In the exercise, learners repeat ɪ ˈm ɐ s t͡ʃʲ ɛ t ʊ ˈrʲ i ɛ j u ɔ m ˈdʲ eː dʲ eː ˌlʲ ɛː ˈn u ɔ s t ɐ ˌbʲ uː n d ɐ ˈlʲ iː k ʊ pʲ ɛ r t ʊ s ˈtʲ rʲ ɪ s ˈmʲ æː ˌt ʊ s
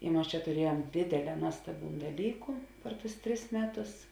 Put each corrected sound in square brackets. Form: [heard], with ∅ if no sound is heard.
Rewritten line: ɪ ˈm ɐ s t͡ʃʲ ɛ t ʊ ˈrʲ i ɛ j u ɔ m ˈdʲ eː dʲ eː ˌlʲ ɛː ˈn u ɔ s t ɐ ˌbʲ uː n d ɐ ˈlʲ iː k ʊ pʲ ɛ r t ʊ s ˈtʲ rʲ ɪ s ˈmʲ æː ˌt ʊ s